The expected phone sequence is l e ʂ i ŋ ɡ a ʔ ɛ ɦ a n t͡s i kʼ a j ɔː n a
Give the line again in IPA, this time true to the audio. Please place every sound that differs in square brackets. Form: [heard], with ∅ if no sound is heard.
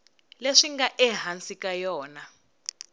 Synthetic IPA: l e ʂ i ŋ ɡ a ʔ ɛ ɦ a n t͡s i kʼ a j ɔː n a